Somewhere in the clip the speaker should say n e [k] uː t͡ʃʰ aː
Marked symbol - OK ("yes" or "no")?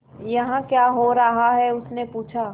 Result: no